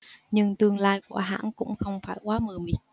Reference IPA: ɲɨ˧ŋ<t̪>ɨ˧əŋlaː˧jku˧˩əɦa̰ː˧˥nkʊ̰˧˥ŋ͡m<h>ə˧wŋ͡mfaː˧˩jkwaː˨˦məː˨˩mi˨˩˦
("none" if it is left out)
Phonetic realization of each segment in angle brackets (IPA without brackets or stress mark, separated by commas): t̪, x